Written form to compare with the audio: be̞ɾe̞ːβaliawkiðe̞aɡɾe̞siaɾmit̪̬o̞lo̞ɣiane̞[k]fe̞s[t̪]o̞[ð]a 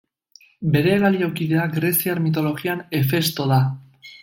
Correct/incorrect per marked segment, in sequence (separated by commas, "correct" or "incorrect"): incorrect, correct, correct